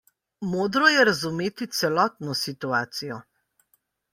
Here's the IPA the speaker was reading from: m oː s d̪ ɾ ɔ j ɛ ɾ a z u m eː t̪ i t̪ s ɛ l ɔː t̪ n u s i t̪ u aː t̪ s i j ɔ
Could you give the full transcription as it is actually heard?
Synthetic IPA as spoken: m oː d̪ ɾ ɔ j ɛ ɾ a z u m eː t̪ i t̪ s ɛ l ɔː t̪ n ɔ s i t̪ u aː t̪ s i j ɔ

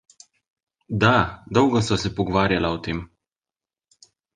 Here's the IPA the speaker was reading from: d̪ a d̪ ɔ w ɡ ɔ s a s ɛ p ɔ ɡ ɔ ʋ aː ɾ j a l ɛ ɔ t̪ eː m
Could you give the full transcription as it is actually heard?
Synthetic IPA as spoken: d̪ a d̪ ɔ w ɡ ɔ s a s ɛ p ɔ ɡ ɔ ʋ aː ɾ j a l a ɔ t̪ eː m

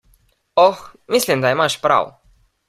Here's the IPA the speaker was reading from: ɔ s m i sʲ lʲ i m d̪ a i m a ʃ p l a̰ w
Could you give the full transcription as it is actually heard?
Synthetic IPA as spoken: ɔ x m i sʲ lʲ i m d̪ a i m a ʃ p ɾ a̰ w

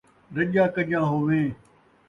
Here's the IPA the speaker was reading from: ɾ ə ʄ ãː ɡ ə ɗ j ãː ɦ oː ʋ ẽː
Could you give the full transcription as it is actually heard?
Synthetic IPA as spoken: ɾ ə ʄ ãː k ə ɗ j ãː ɦ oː ʋ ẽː

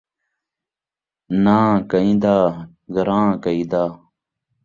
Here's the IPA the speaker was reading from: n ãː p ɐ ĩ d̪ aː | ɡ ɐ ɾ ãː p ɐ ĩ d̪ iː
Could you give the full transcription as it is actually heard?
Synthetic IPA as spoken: n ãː k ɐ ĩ d̪ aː | ɡ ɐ ɾ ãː k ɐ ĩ d̪ aː

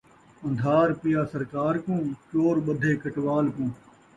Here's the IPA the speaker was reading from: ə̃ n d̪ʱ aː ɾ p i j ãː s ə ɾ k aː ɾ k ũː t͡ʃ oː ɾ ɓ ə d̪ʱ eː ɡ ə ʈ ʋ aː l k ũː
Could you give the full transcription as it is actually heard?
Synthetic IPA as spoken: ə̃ n d̪ʱ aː ɾ p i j aː s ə ɾ k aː ɾ k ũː t͡ʃ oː ɾ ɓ ə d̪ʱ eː k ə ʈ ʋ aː l k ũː

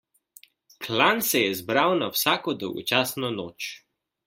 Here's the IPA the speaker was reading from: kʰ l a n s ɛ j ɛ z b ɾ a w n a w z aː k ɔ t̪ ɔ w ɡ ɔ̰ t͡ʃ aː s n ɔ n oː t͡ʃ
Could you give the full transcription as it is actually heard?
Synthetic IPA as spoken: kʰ l a n s ɛ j ɛ z b ɾ a w n a w s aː k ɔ d̪ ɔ w ɡ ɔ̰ t͡ʃ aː s n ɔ n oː t͡ʃ

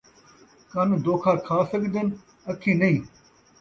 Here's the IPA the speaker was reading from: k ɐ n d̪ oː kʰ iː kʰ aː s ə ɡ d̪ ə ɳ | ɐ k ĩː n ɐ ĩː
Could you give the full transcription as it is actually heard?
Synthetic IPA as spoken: k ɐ n d̪ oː kʰ aː kʰ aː s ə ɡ d̪ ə n | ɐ kʰ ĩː n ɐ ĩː

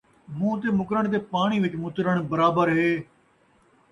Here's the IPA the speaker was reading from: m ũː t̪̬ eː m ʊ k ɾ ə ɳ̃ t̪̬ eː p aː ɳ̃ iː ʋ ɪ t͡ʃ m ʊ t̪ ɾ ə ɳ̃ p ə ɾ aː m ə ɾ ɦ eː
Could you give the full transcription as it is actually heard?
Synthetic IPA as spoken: m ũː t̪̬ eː m ʊ k ɾ ə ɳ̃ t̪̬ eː p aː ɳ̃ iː ʋ ɪ t͡ʃ m ʊ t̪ ɾ ə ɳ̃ b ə ɾ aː b ə ɾ ɦ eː

